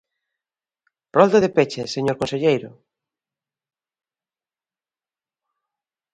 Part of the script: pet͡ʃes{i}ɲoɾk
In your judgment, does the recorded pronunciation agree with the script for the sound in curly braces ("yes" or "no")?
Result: no